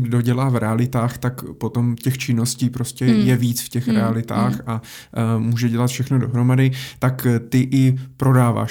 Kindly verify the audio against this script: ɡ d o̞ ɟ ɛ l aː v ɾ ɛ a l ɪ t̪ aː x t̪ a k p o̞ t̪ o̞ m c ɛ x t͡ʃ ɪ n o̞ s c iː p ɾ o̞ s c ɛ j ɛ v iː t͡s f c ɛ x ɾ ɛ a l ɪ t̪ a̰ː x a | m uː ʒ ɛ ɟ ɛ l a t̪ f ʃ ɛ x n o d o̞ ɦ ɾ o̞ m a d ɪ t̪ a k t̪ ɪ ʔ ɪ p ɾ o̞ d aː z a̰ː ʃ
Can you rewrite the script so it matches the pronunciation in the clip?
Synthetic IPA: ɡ d o̞ ɟ ɛ l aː v ɾ ɛ a l ɪ t̪ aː x t̪ a k p o̞ t̪ o̞ m c ɛ x t͡ʃ ɪ n o̞ s c iː p ɾ o̞ s c ɛ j ɛ v iː t͡s f c ɛ x ɾ ɛ a l ɪ t̪ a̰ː x a | m uː ʒ ɛ ɟ ɛ l a t̪ f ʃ ɛ x n o d o̞ ɦ ɾ o̞ m a d ɪ t̪ a k t̪ ɪ ʔ ɪ p ɾ o̞ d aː v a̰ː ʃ